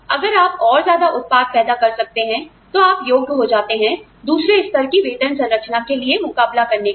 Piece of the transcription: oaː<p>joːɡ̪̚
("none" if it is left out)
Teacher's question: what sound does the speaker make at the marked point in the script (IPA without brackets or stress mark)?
p